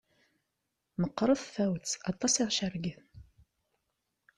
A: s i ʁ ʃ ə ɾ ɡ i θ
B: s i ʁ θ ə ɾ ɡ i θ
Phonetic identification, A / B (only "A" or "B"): A